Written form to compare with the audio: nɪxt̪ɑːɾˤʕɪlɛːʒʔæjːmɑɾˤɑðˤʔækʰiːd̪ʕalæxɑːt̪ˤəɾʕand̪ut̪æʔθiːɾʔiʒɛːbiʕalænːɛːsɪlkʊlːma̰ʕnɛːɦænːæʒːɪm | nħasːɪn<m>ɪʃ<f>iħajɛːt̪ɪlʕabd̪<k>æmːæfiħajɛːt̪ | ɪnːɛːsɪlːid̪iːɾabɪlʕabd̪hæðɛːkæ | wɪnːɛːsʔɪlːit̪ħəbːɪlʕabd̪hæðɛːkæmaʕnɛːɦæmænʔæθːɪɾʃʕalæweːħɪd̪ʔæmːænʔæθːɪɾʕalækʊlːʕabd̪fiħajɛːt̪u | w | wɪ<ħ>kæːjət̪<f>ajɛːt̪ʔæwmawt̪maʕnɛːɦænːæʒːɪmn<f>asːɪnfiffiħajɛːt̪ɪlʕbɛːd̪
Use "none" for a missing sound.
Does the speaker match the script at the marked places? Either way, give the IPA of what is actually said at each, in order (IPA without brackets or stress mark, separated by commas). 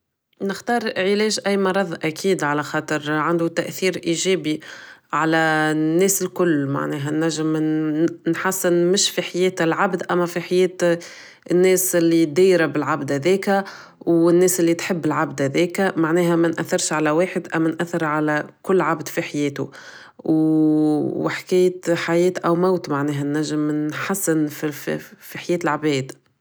m, f, ʔ, ħ, ħ, ħ